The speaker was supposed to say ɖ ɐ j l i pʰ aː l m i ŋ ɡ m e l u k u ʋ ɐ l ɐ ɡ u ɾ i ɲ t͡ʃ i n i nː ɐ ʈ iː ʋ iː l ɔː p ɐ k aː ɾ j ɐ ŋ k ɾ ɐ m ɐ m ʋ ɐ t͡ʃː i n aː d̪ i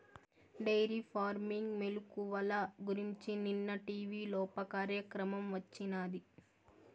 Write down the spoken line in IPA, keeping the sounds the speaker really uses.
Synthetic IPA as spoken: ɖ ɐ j ɾ i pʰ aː ɾ m i ŋ ɡ m e l u k u ʋ ɐ l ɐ ɡ u ɾ i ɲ t͡ʃ i n i nː ɐ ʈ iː ʋ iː l ɔː p ɐ k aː ɾ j ɐ k ɾ ɐ m ɐ m ʋ ɐ t͡ʃː i n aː d̪ i